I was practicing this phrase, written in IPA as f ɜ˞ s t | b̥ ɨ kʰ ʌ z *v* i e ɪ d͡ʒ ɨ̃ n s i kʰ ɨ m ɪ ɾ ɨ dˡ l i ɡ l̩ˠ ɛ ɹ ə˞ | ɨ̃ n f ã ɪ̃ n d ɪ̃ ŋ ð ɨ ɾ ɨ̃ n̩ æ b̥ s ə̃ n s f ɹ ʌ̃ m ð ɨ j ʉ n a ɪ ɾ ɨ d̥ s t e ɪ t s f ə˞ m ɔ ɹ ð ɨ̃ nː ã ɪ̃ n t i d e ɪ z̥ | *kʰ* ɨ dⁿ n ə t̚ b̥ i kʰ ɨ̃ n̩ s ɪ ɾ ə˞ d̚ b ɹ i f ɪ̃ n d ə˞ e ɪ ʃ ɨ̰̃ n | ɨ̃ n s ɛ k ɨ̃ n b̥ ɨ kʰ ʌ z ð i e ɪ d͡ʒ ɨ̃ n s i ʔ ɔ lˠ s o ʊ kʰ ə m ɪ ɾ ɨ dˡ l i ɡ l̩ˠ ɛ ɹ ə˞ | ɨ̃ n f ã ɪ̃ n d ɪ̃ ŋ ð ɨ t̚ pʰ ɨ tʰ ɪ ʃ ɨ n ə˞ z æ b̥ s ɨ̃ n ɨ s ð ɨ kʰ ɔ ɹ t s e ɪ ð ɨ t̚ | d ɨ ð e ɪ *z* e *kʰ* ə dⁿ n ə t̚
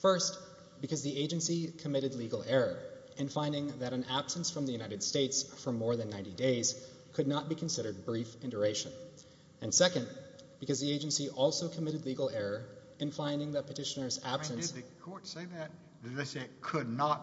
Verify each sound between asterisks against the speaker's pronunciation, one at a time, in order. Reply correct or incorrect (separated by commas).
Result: incorrect, correct, incorrect, correct